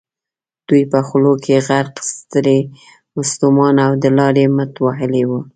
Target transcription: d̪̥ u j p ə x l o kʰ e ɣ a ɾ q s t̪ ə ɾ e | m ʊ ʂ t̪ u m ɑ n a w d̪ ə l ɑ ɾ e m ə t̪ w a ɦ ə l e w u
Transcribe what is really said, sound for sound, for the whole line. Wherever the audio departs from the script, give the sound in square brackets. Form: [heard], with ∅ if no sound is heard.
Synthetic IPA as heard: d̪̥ u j p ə x l o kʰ e ɣ a ɾ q s t̪ ə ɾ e | m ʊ [s] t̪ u m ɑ n a w d̪ ə l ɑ ɾ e m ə t̪ w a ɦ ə l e w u